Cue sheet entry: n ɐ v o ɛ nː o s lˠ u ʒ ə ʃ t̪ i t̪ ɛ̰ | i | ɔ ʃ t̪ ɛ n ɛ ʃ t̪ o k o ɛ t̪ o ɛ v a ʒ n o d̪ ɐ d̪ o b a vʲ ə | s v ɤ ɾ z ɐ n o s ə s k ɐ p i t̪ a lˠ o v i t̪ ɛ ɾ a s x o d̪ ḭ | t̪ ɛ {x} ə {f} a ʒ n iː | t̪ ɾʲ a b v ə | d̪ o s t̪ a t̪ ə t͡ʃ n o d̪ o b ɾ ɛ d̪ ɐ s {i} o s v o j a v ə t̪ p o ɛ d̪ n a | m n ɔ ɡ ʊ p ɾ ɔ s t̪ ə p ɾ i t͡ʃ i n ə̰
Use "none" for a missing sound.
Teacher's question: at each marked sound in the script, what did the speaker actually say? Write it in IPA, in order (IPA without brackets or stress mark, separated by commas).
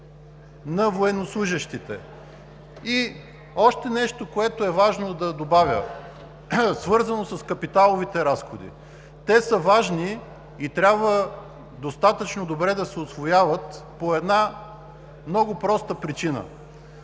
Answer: s, v, ɛ